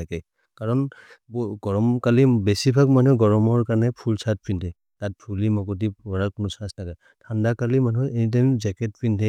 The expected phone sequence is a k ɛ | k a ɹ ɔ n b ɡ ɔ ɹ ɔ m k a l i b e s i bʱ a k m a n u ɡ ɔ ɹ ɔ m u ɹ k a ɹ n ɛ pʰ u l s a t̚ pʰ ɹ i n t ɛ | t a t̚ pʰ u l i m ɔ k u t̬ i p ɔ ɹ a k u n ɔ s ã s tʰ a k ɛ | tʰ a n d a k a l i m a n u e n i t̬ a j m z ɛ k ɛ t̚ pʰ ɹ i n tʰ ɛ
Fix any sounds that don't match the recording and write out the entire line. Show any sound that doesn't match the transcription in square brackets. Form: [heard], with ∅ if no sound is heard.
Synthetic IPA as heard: a k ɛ | k a ɹ ɔ n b ɡ ɔ ɹ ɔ m k a l i b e s i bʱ a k m a n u ɡ ɔ ɹ ɔ m [ɔ] ɹ k a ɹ n ɛ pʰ u l s a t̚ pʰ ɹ i n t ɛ | t a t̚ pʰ u l i m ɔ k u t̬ i p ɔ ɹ a k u n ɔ s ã s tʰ a k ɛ | tʰ a n d a k a l i m a n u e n i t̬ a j m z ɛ k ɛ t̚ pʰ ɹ i n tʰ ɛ

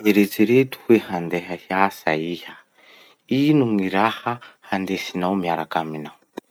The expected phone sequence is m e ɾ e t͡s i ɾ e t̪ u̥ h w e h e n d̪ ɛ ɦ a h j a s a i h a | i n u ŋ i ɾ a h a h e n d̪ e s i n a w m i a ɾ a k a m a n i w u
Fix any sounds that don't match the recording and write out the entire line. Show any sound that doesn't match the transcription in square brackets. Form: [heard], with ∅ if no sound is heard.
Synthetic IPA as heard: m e ɾ e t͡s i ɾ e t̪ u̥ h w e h [a] n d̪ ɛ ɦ a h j a s a i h a | i n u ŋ i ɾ a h a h [a] n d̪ e s i n a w m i a ɾ a k a m [i] n [a] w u

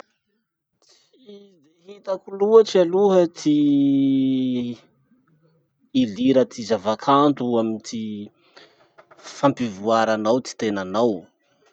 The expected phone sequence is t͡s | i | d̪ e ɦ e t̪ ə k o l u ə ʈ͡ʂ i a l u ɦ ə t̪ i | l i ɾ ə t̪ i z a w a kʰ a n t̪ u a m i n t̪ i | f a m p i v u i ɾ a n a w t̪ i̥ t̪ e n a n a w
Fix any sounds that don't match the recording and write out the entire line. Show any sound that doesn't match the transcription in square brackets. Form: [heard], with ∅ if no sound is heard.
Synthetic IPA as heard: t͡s | i | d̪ e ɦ [i] t̪ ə k [u] l u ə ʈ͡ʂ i a l u ɦ ə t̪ i | l i ɾ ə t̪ i z a [v] a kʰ a n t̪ u a m i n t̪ i | f a m p i v u [a] ɾ a n a w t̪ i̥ t̪ e n a n a w

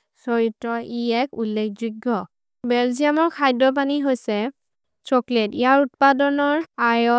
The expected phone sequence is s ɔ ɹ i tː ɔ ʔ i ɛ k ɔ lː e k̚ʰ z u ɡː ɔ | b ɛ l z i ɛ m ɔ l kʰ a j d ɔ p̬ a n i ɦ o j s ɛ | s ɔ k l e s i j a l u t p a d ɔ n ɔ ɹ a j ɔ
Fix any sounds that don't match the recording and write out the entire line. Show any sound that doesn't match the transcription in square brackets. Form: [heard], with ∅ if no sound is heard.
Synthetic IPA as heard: s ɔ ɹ i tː ɔ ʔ i ɛ k [u] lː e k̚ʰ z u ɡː ɔ | b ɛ l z i [a] m ɔ [ɹ] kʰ a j d ɔ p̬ a n i ɦ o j s ɛ | s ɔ k l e [t] i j a [ɹ] u t p a d ɔ n ɔ ɹ a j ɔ

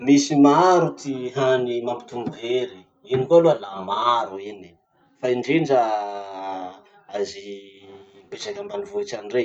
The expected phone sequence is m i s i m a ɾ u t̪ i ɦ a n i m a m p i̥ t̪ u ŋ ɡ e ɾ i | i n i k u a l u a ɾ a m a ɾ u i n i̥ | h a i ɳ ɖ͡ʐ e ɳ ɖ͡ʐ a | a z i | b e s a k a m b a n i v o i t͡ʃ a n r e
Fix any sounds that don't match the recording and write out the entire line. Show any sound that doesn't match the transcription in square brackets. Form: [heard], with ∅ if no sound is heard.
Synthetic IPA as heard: m i s i m a ɾ u t̪ i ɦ a n i m a m p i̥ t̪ u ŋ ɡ e ɾ i | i n i k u a l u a [l] a m a ɾ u i n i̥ | [f] a i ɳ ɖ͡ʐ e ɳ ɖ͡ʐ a | a z i | b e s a k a m b a n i v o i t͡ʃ a n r e

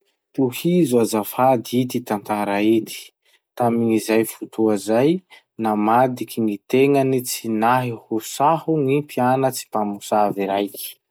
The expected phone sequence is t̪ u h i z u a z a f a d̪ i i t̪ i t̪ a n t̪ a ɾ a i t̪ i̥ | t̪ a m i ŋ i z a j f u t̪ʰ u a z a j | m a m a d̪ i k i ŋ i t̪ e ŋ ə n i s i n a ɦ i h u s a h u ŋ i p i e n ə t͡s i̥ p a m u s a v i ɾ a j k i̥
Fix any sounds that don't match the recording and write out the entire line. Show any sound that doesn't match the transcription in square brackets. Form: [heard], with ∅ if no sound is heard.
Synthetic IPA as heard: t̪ u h i z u a z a f a d̪ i i t̪ i t̪ a n t̪ a ɾ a i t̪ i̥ | t̪ a m i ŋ i z a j f u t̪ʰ u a z a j | [n] a m a d̪ i k i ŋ i t̪ e ŋ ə n i [t͡s] i n a ɦ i h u s a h u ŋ i p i [a] n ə t͡s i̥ p a m u s a v i ɾ a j k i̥

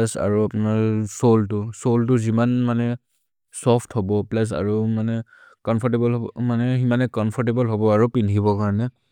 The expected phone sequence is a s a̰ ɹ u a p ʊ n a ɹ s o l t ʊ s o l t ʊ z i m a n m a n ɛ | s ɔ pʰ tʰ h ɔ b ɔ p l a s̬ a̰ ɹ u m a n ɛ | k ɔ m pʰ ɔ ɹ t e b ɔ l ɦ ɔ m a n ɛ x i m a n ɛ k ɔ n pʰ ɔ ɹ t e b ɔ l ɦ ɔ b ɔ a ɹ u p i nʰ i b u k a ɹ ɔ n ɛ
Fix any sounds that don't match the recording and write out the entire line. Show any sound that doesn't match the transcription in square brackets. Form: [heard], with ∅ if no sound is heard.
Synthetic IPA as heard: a s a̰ ɹ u a p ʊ n a ɹ s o l t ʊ s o l t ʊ z i m a n m a n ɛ | s ɔ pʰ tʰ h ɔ b ɔ p l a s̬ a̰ ɹ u m a n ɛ | k ɔ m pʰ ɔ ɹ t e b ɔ l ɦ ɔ m a n ɛ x i m a n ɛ k ɔ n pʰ ɔ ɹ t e b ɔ l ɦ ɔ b ɔ a ɹ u p i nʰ i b [ɔ] k a ɹ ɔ n ɛ

